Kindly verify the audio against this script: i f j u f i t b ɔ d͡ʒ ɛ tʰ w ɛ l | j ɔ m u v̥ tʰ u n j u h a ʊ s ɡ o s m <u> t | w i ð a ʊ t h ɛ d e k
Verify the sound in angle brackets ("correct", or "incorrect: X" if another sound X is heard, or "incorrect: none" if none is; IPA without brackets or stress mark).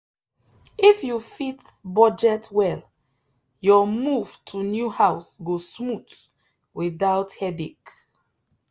correct